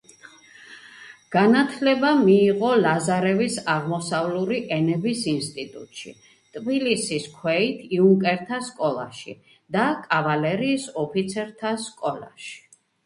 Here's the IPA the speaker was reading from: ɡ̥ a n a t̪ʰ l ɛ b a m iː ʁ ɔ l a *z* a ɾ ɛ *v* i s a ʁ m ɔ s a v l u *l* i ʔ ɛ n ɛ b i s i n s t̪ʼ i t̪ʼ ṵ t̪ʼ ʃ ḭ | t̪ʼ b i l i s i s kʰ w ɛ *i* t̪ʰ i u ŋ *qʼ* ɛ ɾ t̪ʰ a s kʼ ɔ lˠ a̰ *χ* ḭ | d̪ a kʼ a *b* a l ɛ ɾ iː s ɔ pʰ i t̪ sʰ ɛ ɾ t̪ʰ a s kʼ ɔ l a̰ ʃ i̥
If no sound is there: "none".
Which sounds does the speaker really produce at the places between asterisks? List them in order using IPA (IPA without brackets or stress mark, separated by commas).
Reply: z, v, ɾ, i, kʼ, ʃ, v